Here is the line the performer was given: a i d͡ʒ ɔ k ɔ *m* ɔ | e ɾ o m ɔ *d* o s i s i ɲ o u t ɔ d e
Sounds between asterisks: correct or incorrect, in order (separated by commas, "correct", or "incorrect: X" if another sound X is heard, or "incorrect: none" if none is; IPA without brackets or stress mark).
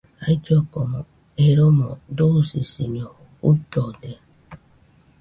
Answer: correct, correct